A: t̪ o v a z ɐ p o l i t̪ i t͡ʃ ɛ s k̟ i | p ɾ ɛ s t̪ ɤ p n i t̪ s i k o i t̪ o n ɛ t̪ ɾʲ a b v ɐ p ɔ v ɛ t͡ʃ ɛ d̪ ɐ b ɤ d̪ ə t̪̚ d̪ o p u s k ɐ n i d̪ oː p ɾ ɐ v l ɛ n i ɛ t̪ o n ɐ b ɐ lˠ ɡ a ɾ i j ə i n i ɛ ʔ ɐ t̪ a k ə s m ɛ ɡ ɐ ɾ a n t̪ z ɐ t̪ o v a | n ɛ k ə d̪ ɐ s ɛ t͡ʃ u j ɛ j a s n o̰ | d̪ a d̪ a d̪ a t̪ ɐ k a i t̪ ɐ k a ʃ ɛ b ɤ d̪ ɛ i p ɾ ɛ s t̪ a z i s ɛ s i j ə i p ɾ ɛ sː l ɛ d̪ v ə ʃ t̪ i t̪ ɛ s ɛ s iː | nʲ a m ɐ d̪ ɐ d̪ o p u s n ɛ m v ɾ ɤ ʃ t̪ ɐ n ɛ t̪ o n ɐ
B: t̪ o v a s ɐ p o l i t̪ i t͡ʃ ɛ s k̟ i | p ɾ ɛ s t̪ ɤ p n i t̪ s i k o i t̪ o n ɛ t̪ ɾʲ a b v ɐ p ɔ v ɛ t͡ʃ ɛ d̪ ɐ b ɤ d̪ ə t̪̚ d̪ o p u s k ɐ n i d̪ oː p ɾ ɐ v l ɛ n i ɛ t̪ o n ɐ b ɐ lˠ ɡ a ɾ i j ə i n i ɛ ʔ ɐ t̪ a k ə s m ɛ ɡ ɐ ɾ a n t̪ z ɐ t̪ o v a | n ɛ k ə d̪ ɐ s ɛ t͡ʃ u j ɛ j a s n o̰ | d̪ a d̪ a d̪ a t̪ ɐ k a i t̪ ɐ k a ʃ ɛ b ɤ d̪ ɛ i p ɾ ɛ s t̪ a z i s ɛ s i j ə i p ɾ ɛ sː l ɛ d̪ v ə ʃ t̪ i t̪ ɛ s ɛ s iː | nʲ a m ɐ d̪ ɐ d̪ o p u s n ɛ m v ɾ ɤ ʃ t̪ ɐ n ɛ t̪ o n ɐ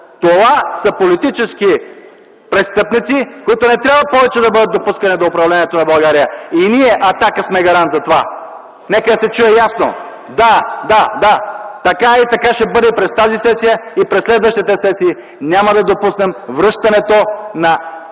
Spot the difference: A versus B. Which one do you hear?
B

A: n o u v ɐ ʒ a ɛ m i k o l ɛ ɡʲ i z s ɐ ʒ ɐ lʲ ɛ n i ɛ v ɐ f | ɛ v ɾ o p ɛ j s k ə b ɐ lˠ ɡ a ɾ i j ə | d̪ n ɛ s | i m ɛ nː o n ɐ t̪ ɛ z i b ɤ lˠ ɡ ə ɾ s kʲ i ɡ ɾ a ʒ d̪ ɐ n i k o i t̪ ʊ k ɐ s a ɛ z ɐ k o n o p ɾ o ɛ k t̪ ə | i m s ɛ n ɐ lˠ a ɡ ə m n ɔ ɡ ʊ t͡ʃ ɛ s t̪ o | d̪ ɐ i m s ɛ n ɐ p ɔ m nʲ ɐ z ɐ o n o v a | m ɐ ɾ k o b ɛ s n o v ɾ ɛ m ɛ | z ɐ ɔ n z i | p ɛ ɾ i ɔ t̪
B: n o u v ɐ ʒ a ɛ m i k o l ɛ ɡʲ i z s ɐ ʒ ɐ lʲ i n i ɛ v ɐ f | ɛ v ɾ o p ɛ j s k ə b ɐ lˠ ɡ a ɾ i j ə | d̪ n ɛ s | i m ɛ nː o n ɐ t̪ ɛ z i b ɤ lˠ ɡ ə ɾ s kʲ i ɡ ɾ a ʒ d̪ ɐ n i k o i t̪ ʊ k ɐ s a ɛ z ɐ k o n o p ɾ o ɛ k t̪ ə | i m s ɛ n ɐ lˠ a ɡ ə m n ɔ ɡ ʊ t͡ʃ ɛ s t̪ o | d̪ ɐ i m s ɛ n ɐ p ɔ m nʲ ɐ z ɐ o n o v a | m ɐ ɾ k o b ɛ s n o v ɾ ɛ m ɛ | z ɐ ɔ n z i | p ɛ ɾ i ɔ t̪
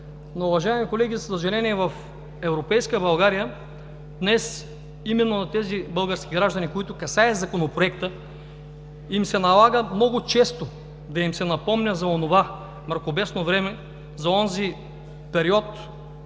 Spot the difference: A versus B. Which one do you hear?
A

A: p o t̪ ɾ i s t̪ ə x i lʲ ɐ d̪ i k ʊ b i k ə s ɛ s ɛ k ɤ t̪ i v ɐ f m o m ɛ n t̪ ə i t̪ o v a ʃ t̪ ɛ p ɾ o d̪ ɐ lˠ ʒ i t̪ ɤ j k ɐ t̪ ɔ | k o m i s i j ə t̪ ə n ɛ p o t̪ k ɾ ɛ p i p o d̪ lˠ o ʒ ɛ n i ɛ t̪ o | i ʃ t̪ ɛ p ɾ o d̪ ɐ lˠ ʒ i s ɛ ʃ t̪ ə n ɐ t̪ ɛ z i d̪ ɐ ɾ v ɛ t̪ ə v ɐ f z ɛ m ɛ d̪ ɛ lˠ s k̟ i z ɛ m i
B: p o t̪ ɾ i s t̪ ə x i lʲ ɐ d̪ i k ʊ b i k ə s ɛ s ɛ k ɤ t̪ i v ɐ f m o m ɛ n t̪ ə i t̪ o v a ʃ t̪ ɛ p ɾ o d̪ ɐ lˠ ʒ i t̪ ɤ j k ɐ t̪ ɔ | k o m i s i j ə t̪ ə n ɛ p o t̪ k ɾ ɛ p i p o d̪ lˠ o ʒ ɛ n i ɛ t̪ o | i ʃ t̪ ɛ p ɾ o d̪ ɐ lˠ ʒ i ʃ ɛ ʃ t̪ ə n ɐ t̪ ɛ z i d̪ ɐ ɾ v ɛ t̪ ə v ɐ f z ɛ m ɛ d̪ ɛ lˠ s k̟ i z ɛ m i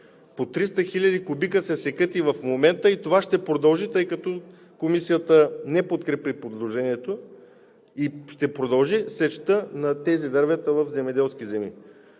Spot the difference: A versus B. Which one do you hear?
A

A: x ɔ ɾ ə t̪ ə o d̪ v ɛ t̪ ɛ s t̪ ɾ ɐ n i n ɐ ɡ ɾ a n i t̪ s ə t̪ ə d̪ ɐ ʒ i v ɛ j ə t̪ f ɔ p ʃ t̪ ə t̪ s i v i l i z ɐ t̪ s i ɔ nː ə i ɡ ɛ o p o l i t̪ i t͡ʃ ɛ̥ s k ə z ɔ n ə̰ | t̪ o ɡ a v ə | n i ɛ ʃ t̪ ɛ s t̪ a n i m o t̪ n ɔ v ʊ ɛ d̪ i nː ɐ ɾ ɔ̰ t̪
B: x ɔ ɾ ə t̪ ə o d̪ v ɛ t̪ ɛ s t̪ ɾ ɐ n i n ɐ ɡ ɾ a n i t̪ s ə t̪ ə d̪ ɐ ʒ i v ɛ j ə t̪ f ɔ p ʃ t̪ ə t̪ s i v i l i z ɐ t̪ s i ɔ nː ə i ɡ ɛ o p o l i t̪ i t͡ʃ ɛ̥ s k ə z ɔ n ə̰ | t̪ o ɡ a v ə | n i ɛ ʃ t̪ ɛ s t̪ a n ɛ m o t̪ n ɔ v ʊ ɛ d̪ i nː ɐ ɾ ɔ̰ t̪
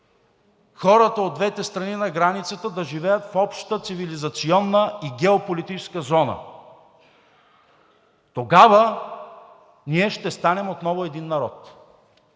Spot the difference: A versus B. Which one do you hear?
B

